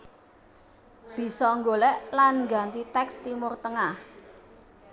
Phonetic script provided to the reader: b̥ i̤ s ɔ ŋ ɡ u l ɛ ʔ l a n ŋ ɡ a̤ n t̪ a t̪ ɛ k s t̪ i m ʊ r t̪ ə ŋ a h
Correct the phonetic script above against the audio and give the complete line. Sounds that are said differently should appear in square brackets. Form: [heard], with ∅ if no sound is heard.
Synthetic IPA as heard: b̥ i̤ s ɔ ŋ ɡ [o] l ɛ ʔ l a n ŋ ɡ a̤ n t̪ [i] t̪ ɛ k s t̪ i m ʊ r t̪ ə ŋ a h